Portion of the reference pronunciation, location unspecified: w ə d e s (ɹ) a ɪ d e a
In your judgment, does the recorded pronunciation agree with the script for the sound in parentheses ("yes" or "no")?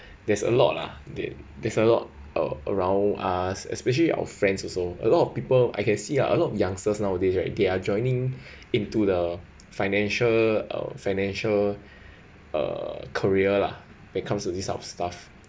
yes